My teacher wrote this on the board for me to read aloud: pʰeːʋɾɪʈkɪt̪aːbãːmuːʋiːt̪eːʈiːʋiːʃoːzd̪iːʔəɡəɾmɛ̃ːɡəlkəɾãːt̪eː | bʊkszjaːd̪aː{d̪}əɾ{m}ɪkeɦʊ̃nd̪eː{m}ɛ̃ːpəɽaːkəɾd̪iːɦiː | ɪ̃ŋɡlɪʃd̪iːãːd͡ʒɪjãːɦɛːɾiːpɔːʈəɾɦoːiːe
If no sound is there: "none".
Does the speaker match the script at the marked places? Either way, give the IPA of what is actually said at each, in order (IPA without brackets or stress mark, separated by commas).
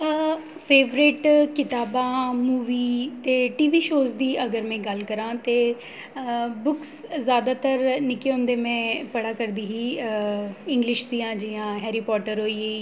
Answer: t̪, n, m